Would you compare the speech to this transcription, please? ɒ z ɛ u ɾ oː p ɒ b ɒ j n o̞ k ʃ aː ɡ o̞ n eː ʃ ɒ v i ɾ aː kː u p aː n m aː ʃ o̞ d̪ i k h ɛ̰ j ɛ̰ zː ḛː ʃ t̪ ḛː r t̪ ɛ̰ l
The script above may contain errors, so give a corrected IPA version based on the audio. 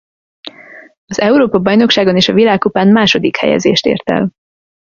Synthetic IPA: ɒ z ɛ u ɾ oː p ɒ b ɒ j n o̞ k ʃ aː ɡ o̞ n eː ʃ ɒ v i l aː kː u p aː n m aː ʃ o̞ d̪ i k h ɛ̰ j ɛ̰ z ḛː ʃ t̪ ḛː r t̪ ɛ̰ l

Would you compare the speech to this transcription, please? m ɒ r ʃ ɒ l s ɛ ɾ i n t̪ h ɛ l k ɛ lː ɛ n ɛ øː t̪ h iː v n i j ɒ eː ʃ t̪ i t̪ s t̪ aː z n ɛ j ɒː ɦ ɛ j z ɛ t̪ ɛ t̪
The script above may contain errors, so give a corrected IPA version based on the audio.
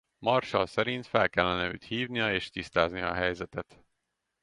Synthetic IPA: m ɒ r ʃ ɒ l s ɛ ɾ i n t̪ f ɛ l k ɛ lː ɛ n ɛ øː t̪ h iː v n i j ɒ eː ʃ t̪ i s t̪ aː z n i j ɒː ɦ ɛ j z ɛ t̪ ɛ t̪

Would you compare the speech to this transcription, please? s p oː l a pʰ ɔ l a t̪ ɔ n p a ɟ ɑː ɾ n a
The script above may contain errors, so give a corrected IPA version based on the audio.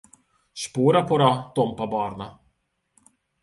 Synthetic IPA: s p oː ɾ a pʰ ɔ ɾ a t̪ ɔ m p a b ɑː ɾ n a

